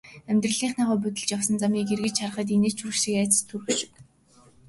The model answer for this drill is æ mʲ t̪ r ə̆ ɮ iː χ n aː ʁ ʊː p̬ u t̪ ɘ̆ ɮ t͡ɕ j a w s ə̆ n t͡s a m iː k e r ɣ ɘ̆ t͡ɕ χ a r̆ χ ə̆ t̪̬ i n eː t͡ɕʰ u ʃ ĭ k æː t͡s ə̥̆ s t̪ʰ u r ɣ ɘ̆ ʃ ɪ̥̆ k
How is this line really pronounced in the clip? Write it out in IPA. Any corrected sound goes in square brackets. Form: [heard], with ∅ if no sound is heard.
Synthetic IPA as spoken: æ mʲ t̪ r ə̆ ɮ iː χ n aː ʁ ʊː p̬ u t̪ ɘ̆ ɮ t͡ɕ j a w s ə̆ n t͡s a m iː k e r ɣ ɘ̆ t͡ɕ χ a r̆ χ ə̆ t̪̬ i n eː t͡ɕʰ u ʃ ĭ k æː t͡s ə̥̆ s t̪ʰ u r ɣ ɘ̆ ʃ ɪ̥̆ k